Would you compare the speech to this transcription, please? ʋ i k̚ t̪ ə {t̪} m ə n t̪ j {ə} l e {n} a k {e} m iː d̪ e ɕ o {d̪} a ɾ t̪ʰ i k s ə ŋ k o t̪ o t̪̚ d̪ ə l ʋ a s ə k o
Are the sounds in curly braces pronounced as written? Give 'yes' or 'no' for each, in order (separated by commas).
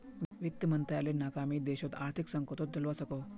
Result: no, no, yes, no, no